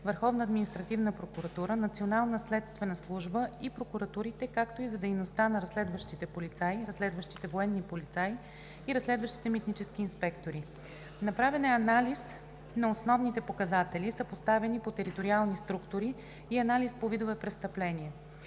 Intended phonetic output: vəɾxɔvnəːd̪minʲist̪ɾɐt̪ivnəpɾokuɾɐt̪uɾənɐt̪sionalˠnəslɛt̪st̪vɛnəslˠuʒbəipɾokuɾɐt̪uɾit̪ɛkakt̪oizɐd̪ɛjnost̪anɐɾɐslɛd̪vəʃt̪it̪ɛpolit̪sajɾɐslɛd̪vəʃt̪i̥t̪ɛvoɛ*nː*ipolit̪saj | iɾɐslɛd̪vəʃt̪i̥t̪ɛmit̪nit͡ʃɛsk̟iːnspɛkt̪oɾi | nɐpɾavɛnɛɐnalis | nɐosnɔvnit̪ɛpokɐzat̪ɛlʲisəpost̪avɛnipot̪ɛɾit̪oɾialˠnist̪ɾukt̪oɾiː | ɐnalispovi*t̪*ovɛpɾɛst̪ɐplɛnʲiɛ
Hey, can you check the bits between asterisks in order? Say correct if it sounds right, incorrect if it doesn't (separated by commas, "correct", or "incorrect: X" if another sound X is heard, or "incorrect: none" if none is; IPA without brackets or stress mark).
correct, incorrect: d̪